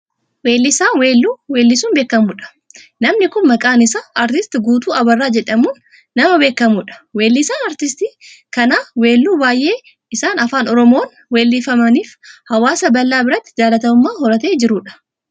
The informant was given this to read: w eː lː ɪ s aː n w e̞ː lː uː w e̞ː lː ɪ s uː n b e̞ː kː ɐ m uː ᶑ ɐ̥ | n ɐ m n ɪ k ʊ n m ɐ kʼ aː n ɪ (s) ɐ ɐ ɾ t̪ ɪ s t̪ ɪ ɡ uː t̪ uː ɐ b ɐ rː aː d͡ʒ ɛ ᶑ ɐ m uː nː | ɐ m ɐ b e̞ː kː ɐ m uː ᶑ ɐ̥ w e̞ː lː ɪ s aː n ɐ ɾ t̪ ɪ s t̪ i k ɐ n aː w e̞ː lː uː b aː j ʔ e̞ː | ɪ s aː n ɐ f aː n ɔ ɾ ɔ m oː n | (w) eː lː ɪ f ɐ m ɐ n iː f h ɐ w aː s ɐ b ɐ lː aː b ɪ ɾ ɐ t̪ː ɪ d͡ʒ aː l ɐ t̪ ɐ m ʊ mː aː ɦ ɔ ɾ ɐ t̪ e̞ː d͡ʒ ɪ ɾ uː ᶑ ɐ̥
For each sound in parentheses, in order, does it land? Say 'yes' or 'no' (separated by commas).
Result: yes, yes